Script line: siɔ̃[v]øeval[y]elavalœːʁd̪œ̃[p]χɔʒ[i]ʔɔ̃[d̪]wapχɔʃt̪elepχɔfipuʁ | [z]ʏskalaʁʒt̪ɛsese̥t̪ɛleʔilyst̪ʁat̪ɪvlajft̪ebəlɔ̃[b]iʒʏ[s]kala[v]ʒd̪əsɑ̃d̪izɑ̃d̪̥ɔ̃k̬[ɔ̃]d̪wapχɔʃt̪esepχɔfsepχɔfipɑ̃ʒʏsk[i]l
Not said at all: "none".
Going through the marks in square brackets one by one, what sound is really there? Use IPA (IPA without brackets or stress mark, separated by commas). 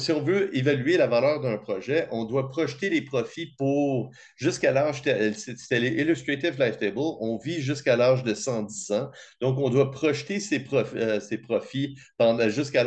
v, y, p, ɛ, d̪, ʒ, v, s, ʁ, ɔ̃, a